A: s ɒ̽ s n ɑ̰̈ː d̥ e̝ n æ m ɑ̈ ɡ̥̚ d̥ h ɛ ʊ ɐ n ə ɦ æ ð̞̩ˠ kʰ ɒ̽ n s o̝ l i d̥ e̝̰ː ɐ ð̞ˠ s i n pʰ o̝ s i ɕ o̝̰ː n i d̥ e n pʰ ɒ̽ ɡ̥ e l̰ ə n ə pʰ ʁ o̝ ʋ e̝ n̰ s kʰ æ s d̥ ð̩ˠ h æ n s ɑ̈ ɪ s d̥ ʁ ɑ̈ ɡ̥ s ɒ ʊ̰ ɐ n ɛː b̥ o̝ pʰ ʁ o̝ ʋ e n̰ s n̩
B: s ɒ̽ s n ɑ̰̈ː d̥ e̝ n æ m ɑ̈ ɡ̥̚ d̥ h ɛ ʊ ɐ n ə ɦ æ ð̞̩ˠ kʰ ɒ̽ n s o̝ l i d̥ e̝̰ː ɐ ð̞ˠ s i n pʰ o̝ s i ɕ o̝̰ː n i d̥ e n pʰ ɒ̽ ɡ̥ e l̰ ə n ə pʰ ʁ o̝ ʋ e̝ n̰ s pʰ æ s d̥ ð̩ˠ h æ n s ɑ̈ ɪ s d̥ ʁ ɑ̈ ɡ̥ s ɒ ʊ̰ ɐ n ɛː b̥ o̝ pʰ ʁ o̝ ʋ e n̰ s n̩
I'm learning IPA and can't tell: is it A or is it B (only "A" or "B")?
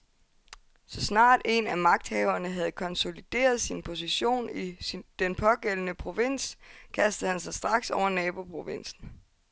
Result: A